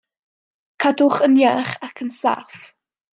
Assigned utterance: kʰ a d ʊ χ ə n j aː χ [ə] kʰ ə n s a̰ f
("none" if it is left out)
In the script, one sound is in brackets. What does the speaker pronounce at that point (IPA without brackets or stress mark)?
a